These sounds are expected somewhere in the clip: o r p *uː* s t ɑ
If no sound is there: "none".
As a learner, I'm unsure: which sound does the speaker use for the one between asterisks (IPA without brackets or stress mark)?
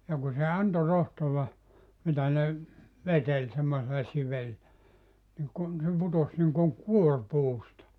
uː